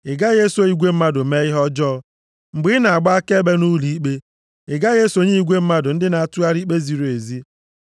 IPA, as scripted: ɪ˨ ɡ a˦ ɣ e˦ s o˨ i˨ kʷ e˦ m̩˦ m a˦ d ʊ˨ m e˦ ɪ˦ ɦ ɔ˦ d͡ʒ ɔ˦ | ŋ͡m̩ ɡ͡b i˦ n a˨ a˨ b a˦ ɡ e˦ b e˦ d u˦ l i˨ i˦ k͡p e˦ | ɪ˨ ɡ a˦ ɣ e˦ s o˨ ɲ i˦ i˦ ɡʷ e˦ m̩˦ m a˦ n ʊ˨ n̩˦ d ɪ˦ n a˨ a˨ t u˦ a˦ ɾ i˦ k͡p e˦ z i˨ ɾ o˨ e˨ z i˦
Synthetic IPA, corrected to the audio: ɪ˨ ɡ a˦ ɣ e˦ s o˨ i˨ ɡʷ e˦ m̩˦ m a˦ d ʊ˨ m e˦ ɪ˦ ɦ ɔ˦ d͡ʒ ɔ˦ | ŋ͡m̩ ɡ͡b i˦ n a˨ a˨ ɡ͡b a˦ k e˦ b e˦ n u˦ l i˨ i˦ k͡p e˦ | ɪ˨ ɡ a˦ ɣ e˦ s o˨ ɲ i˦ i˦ ɡʷ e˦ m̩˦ m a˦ d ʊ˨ n̩˦ d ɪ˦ n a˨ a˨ t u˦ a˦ ɾ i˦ k͡p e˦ z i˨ ɾ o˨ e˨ z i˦